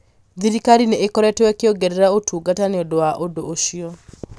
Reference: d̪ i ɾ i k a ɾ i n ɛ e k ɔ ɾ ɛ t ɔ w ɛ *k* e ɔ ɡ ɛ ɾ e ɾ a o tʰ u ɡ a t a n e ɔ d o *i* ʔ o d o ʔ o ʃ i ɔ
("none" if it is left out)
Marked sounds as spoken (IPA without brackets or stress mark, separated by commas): k, a